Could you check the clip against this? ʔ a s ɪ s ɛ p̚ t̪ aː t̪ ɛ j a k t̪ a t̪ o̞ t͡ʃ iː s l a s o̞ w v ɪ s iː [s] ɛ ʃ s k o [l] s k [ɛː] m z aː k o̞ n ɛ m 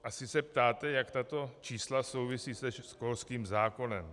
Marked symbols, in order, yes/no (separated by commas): yes, yes, no